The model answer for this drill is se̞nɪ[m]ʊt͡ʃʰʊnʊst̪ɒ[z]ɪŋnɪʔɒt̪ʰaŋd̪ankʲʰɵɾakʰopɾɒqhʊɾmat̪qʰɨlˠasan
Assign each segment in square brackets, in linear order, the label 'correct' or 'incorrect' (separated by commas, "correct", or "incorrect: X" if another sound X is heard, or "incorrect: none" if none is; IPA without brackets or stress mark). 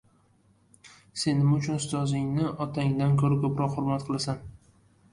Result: correct, correct